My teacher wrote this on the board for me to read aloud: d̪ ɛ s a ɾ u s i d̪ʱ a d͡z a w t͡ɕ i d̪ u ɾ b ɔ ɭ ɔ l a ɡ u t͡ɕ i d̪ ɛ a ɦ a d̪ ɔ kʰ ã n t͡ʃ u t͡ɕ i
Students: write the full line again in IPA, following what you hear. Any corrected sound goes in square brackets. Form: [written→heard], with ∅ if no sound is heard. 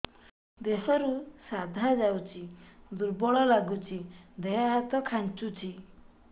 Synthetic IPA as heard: d̪ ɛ s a ɾ u s [i→a] d̪ʱ a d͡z a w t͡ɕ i d̪ u ɾ b ɔ ɭ ɔ l a ɡ u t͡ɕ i d̪ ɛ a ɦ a [d̪→t̪] ɔ kʰ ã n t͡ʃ u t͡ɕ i